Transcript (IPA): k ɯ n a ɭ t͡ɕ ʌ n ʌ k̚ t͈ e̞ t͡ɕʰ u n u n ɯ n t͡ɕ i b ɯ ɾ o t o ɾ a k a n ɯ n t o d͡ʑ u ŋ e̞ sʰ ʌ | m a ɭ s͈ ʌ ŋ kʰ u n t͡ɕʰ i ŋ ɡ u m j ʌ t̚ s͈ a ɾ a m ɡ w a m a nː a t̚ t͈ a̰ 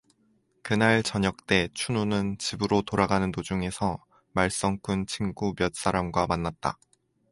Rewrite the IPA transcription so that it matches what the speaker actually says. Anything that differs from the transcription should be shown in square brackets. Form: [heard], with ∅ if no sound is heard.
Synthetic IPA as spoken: k ɯ n a ɭ t͡ɕ ʌ [ɲ] ʌ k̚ t͈ e̞ t͡ɕʰ u n u n ɯ n t͡ɕ i b ɯ ɾ o t o ɾ a [ɡ] a n ɯ n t o d͡ʑ u ŋ e̞ sʰ ʌ | m a ɭ s͈ ʌ ŋ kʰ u n t͡ɕʰ i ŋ ɡ u m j ʌ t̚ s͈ a ɾ a m ɡ w a m a nː a t̚ t͈ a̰